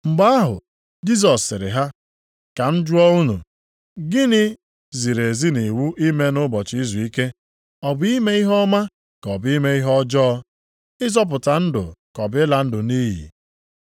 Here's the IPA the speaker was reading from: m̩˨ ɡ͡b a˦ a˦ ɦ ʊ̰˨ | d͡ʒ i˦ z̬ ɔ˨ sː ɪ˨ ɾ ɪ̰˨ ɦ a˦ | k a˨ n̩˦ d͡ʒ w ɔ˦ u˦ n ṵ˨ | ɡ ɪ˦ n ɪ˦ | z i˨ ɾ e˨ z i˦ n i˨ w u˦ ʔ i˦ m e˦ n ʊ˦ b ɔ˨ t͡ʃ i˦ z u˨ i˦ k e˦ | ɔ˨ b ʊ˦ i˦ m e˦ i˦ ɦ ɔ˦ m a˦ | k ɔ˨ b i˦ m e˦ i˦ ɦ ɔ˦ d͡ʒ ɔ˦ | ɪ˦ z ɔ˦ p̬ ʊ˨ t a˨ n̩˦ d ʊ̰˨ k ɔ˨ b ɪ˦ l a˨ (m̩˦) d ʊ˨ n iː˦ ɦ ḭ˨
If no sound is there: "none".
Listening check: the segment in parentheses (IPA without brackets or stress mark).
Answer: n̩˦